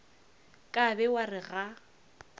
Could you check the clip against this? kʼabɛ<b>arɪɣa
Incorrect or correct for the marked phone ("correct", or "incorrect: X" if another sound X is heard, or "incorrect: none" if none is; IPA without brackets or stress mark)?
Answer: incorrect: w